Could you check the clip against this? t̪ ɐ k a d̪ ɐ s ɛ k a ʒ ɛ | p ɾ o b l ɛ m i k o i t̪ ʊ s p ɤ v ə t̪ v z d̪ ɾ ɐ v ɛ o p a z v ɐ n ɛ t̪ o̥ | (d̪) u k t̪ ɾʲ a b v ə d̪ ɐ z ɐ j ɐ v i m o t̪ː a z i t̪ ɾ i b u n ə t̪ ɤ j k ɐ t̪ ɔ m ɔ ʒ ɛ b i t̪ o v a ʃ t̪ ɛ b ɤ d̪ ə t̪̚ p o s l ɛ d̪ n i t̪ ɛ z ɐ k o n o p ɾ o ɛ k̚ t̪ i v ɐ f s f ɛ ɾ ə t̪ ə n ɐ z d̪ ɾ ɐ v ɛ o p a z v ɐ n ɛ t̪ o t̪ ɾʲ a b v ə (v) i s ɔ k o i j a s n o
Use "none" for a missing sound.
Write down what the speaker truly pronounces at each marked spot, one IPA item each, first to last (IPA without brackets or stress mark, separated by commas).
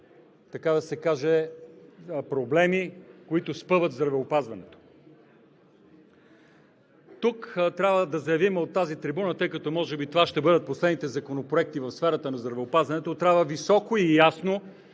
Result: t̪, v